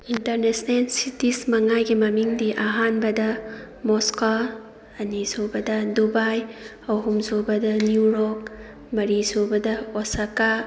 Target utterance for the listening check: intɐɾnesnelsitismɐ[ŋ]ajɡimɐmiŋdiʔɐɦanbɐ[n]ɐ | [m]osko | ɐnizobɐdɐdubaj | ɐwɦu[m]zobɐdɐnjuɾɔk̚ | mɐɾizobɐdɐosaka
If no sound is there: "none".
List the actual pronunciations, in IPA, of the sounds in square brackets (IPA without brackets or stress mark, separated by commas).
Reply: ŋ, d, m, m